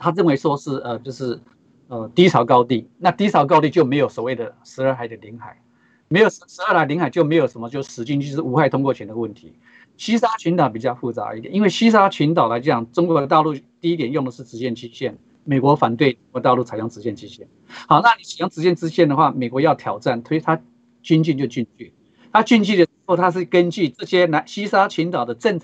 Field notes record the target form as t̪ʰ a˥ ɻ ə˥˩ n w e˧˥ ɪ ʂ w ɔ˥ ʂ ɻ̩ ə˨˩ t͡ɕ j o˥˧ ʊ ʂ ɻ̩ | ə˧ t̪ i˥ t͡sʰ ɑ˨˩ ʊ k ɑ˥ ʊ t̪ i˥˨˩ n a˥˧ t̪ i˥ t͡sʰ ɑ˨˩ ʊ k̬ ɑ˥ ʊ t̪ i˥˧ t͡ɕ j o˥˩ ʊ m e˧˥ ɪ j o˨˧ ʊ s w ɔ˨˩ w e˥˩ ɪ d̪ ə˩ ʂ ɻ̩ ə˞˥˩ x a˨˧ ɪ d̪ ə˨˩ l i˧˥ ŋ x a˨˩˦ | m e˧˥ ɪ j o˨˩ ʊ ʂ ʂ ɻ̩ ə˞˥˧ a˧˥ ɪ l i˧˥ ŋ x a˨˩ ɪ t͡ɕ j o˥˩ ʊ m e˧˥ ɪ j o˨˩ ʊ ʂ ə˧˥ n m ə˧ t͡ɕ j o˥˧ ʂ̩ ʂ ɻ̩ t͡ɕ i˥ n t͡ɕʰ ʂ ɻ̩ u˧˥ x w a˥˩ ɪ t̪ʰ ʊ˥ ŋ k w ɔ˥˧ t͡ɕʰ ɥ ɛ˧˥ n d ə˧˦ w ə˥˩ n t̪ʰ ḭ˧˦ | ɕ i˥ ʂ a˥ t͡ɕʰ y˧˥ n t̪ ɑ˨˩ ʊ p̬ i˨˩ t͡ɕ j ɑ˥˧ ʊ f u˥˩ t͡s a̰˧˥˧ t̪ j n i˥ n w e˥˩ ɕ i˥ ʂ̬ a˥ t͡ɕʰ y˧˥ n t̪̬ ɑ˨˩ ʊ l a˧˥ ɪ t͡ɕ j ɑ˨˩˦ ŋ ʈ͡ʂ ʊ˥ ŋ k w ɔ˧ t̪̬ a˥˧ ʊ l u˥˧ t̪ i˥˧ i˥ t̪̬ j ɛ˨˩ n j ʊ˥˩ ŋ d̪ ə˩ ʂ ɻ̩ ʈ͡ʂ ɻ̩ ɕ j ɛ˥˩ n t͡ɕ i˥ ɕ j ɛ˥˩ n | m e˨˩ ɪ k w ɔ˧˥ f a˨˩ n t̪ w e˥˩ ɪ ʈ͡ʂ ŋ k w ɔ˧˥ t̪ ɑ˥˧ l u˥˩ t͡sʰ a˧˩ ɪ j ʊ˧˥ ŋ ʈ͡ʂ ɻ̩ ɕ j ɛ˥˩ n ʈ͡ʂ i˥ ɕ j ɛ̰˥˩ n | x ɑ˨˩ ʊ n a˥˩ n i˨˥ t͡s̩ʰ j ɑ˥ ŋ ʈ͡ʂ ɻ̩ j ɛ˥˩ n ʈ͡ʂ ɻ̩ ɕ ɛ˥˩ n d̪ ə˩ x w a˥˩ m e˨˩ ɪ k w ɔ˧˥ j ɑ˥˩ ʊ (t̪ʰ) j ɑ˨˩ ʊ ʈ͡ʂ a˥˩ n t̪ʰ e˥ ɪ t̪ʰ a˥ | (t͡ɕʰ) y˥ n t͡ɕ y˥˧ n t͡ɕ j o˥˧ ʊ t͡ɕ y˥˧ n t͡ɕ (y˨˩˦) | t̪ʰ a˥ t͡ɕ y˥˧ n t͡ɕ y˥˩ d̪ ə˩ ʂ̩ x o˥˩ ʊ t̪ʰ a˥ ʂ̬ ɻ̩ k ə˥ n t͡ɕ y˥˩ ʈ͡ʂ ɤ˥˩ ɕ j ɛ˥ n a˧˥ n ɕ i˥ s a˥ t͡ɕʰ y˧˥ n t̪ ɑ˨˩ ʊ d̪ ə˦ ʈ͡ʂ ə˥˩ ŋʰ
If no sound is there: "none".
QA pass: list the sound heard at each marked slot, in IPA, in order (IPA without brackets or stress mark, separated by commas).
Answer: t̪ʰ, t͡ɕ, y˥˩